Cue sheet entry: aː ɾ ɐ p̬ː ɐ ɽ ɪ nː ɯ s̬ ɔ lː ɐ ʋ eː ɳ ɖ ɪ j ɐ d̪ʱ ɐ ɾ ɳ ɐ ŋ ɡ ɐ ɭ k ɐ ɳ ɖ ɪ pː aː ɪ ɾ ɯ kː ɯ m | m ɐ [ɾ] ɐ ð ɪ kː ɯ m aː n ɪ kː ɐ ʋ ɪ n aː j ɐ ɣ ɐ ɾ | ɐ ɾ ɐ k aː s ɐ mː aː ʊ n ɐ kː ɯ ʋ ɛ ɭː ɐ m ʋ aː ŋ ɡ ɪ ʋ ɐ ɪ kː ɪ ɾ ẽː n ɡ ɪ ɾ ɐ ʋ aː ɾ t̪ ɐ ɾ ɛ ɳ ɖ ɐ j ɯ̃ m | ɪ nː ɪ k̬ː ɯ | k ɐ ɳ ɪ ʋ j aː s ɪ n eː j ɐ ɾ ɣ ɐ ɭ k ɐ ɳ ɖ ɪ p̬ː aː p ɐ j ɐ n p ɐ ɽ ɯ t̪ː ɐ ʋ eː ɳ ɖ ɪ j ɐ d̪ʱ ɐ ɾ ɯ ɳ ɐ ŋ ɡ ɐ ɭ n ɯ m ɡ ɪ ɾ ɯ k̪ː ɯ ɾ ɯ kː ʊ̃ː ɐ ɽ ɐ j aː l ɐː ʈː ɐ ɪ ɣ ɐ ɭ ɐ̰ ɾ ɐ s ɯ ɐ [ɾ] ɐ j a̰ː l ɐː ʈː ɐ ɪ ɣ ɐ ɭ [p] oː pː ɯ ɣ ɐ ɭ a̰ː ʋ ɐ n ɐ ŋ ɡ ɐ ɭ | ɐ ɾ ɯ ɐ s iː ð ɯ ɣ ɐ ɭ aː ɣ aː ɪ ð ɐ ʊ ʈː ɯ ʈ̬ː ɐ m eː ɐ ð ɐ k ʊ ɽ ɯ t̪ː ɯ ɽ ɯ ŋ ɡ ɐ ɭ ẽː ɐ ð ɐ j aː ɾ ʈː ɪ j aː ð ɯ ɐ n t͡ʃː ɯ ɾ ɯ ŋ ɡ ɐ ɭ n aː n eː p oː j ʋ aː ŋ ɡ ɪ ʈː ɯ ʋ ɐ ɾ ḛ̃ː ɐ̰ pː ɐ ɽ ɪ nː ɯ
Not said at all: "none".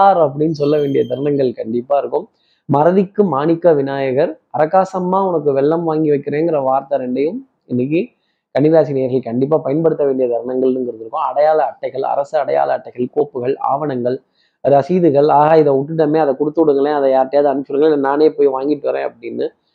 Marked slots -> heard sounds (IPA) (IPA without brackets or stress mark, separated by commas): ɾ, ɽ, k